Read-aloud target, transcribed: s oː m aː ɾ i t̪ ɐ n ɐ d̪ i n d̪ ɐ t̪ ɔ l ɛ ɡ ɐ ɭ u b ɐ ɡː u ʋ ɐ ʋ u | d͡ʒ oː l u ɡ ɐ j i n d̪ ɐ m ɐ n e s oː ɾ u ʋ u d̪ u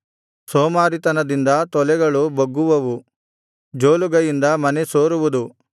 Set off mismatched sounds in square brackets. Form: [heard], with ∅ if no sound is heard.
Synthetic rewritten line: s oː m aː ɾ i t̪ ɐ n ɐ d̪ i n d̪ ɐ t̪ ɔ l ɛ ɡ ɐ ɭ u b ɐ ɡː u ʋ ɐ ʋ u | d͡ʒ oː l u ɡ ɐ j i n d̪ ɐ m ɐ n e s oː ɾ u ʋ u d̪ u